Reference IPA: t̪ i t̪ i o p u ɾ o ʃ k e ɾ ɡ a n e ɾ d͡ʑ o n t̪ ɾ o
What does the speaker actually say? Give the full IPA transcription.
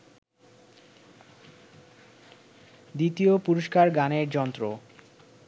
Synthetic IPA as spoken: d̪ i t̪ i o p u ɾ o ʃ k a ɾ ɡ a n e ɾ d͡ʑ ɔ n t̪ ɾ o